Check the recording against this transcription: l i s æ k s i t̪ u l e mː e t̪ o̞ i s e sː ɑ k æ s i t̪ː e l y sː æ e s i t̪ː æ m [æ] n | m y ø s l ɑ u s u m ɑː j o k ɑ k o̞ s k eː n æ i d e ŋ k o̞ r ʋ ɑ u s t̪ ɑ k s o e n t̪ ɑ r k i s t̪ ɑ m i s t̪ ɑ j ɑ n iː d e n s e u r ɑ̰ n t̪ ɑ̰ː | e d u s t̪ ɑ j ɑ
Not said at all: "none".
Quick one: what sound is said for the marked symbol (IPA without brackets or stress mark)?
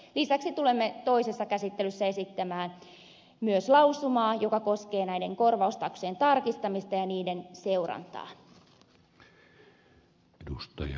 æː